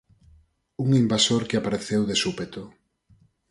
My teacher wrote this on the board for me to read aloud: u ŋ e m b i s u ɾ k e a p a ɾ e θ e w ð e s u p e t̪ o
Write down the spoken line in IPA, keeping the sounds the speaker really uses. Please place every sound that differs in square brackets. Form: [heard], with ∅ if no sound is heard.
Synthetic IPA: u ŋ [i] m b [a] s [o] ɾ k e a p a ɾ e θ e w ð e s u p e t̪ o